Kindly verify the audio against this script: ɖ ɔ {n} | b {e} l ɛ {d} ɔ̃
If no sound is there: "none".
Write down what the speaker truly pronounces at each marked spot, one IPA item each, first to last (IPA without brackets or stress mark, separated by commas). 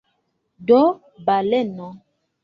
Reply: none, a, n